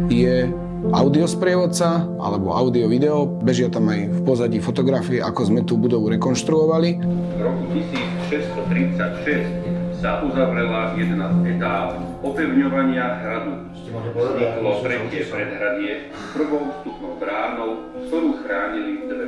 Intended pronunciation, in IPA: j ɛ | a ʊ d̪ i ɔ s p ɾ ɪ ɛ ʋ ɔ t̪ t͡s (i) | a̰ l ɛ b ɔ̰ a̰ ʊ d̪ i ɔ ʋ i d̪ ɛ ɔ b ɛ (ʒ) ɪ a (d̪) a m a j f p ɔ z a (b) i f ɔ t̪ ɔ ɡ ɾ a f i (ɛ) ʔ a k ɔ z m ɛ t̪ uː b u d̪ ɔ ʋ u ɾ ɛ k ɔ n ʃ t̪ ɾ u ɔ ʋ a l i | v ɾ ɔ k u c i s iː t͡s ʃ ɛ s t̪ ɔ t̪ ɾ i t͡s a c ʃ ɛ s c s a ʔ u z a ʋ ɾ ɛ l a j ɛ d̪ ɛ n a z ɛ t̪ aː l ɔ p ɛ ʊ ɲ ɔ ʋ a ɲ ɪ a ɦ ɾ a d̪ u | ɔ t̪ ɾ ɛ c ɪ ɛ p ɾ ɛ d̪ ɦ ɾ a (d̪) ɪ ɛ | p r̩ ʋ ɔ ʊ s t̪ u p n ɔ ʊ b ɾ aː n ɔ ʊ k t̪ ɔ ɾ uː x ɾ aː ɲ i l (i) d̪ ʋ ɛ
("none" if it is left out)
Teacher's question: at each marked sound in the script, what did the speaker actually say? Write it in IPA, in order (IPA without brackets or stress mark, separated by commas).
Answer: a, ʒ, t̪, ɟ, ɛ, d̪, i